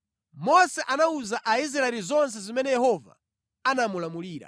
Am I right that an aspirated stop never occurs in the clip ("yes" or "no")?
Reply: yes